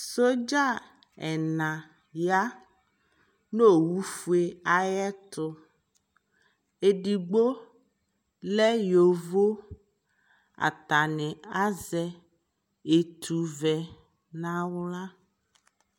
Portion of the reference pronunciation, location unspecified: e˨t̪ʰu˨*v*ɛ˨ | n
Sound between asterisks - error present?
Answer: no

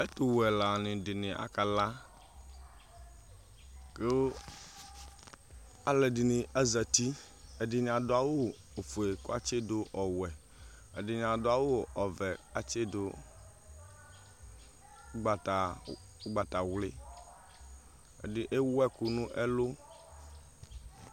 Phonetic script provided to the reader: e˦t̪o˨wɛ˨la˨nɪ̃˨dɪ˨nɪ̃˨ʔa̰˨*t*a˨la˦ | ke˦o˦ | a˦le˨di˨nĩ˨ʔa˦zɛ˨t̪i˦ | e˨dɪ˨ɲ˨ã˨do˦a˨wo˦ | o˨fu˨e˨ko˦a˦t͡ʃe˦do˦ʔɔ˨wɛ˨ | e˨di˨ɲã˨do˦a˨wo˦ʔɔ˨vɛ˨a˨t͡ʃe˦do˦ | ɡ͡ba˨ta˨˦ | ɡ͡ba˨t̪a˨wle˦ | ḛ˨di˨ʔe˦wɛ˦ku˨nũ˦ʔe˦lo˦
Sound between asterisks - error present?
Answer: yes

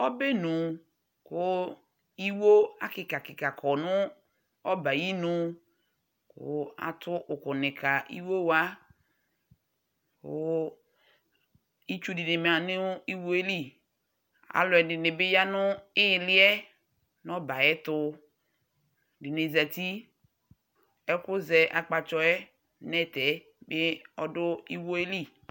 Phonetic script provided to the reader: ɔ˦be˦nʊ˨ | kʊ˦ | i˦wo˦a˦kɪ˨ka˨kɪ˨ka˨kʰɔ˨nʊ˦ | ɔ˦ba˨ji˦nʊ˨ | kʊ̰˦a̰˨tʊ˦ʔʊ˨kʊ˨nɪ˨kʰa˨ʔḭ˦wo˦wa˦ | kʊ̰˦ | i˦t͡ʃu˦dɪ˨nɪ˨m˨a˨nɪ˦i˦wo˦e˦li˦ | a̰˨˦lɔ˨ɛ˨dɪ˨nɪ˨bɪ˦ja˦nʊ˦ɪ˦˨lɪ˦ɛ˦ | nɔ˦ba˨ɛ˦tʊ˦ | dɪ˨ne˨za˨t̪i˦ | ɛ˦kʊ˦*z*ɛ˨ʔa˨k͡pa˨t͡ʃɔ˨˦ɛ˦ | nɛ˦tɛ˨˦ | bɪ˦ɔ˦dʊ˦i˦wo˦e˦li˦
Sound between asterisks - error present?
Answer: no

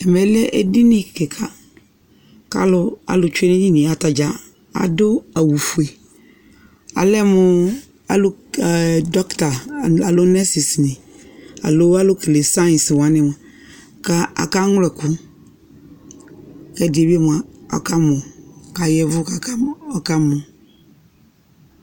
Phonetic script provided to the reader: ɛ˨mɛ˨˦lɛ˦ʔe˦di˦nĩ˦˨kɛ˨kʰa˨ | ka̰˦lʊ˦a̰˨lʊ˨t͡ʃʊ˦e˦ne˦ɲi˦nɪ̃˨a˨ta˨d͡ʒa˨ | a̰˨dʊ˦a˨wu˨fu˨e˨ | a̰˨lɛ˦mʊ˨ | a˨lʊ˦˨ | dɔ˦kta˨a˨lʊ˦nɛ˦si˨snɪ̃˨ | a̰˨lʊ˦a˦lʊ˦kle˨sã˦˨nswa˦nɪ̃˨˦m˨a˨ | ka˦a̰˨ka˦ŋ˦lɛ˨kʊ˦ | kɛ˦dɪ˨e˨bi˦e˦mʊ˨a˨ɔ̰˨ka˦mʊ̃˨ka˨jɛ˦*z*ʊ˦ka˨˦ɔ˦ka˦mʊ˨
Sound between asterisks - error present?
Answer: yes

